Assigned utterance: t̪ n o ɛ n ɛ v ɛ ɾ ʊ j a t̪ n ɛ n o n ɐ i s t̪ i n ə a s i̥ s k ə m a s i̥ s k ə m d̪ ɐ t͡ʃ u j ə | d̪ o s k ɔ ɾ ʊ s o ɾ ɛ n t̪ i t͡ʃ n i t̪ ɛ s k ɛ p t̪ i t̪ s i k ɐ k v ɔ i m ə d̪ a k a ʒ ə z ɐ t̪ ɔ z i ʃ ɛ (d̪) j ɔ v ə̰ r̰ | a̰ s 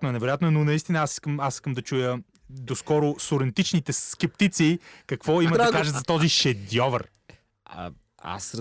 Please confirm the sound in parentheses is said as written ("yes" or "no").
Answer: yes